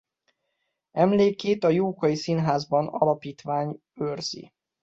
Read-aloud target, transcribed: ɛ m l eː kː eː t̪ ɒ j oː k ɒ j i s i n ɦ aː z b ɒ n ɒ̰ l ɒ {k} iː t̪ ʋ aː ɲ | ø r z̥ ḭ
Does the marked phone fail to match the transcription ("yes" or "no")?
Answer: yes